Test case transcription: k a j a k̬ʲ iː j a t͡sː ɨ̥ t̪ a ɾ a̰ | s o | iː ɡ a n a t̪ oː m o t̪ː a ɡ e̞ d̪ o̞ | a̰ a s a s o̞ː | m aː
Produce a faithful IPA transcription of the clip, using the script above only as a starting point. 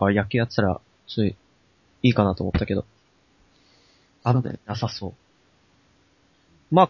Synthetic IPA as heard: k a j a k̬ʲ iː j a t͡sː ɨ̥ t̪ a ɾ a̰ | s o | iː k a n a t̪ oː m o t̪ː a k e̞ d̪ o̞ | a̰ a s a s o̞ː | m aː